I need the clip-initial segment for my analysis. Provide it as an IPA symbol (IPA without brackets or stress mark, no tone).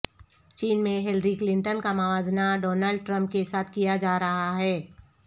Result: t͡ʃ